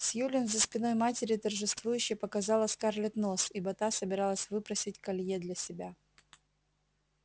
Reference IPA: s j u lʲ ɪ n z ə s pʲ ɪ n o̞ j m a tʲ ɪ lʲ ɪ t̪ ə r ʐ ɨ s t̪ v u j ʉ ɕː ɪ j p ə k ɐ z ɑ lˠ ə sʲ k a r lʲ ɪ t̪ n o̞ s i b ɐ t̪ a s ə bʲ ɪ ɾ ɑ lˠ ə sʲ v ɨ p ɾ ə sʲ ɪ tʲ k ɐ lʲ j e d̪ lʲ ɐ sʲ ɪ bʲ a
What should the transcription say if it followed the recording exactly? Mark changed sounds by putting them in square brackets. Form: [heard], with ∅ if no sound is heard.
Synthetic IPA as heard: s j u lʲ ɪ n z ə s pʲ ɪ n o̞ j m a tʲ ɪ [ɾʲ] ɪ t̪ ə r ʐ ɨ s t̪ v u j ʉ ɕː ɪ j p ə k ɐ z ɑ lˠ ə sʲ k a r lʲ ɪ t̪ n o̞ s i b ɐ t̪ a s ə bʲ ɪ ɾ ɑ lˠ ə sʲ v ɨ p ɾ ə sʲ ɪ tʲ k ɐ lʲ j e d̪ lʲ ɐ sʲ ɪ bʲ a

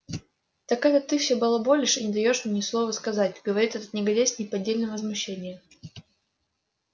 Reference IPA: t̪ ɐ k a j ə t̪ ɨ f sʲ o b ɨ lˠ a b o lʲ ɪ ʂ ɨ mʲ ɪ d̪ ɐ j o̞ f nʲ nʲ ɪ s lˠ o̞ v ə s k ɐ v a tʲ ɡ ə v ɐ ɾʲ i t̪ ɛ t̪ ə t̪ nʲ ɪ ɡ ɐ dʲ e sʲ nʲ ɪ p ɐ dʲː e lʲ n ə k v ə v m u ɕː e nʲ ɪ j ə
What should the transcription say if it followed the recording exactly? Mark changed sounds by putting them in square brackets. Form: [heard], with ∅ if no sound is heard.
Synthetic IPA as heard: t̪ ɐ k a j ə t̪ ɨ f sʲ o b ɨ lˠ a b o lʲ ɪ ʂ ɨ [nʲ] ɪ d̪ ɐ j o̞ [ʂ] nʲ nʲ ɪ s lˠ o̞ v ə s k ɐ [z] a tʲ ɡ ə v ɐ ɾʲ i t̪ ɛ t̪ ə t̪ nʲ ɪ ɡ ɐ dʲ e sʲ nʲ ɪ p ɐ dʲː e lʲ n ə [∅] v ə [z] m [ʊ] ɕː e nʲ ɪ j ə

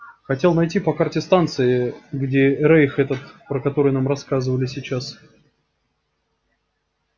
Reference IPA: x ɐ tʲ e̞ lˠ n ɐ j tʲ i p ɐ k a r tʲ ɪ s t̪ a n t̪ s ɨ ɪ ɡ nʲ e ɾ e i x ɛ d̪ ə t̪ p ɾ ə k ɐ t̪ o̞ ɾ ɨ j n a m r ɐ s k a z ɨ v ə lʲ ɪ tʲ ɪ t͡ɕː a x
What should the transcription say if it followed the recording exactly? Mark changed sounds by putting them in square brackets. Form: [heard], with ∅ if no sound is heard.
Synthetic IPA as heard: x ɐ tʲ e̞ lˠ n ɐ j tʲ i p ɐ k a r tʲ ɪ s t̪ a n t̪ s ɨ ɪ ɡ [dʲ] e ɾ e [j] x ɛ [t̪] ə t̪ p ɾ ə k ɐ t̪ o̞ ɾ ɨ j n a m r ɐ s k a z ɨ v ə lʲ ɪ [sʲ] ɪ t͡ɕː a [s]

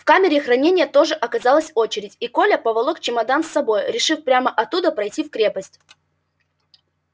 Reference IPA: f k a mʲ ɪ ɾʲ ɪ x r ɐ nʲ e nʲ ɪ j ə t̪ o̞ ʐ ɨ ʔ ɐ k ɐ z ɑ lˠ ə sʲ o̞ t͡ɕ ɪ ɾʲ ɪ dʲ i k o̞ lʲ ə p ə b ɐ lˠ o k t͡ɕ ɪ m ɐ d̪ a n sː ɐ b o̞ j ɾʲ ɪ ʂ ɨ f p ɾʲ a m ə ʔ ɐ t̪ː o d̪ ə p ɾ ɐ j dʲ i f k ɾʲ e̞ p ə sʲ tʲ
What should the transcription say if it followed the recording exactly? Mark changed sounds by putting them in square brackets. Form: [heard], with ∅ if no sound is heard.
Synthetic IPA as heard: f k a mʲ ɪ ɾʲ ɪ x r ɐ nʲ e nʲ ɪ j ə t̪ o̞ ʐ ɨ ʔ ɐ k ɐ z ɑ lˠ ə sʲ o̞ t͡ɕ ɪ ɾʲ ɪ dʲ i k o̞ lʲ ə p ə [v] ɐ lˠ o k t͡ɕ ɪ m ɐ d̪ a n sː ɐ b o̞ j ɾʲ ɪ ʂ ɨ f p ɾʲ a m ə ʔ ɐ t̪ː [u] d̪ ə p ɾ ɐ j [tʲ] i f k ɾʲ e̞ p ə sʲ tʲ

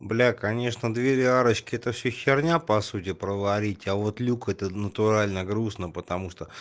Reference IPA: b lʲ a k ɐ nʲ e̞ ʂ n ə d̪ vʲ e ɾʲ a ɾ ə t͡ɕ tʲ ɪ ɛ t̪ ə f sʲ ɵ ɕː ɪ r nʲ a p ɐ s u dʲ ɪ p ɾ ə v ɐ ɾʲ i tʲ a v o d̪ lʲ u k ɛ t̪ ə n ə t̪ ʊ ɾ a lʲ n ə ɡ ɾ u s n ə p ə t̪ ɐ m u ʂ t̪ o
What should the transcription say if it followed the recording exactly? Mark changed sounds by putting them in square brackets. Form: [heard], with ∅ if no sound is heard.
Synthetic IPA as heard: b lʲ a k ɐ nʲ e̞ ʂ n ə d̪ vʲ e ɾʲ a ɾ ə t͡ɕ [kʲ] ɪ ɛ t̪ ə f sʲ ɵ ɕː ɪ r nʲ a p ɐ s u [tʲ] ɪ p ɾ ə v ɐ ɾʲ i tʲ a v o [t̪] lʲ u k ɛ t̪ ə n ə t̪ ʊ ɾ a lʲ n ə ɡ ɾ u s n ə p ə t̪ ɐ m u ʂ t̪ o

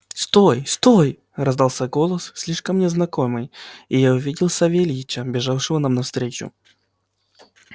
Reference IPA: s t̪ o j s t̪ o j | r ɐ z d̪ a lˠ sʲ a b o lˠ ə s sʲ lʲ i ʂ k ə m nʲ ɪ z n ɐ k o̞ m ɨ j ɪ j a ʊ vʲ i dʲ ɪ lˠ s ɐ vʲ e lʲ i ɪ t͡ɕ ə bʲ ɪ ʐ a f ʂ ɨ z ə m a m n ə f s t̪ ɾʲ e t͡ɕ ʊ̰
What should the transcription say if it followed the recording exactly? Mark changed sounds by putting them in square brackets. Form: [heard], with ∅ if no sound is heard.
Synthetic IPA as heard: s t̪ o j s t̪ o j | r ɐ z d̪ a lˠ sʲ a [ɡ] o lˠ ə s sʲ lʲ i ʂ k ə m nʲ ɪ z n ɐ k o̞ m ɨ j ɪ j a ʊ vʲ i dʲ ɪ lˠ s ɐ vʲ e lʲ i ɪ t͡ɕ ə bʲ ɪ ʐ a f ʂ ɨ [v] ə [n] a m n [ɐ] f s t̪ ɾʲ e t͡ɕ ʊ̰

